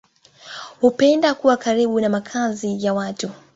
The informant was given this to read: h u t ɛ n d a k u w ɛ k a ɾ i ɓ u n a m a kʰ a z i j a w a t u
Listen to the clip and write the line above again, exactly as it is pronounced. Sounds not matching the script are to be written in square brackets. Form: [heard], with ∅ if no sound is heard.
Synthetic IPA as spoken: h u [p] ɛ n d a k u w [a] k a ɾ i ɓ u n a m a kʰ a z i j a w a t u